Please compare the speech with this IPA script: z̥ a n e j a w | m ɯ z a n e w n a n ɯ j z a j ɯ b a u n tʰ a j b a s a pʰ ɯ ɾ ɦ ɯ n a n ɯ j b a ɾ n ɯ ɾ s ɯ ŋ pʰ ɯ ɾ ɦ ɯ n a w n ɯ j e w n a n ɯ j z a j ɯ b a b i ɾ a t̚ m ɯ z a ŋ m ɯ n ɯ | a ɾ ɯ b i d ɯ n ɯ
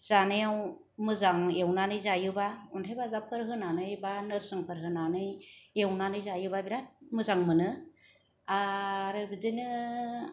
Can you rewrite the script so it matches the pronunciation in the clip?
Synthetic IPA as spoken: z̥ a n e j a w | m ɯ z a ŋ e w n a n ɯ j z a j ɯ b a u n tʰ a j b a z a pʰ ɯ ɾ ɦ ɯ n a n ɯ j b a n ɯ ɾ s ɯ ŋ pʰ ɯ ɾ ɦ ɯ n a n ɯ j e w n a n ɯ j z a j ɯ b a b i ɾ a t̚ m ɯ z a ŋ m ɯ n ɯ | a ɾ ɯ b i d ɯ n ɯ